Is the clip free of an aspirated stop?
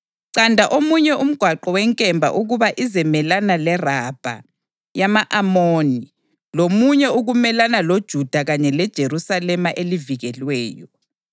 yes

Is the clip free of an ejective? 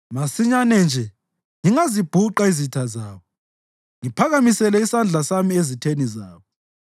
yes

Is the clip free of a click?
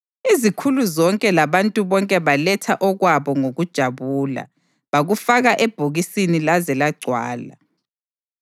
no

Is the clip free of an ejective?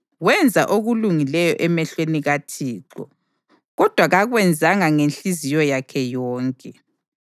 no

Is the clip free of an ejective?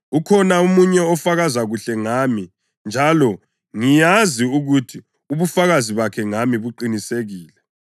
yes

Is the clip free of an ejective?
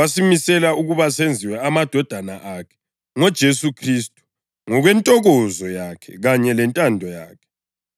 no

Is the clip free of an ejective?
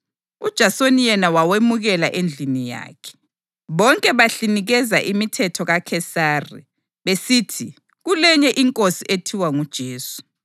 no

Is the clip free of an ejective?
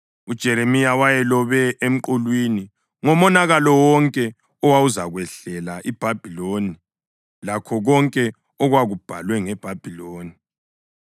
no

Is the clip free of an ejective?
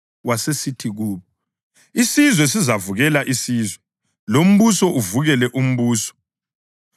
yes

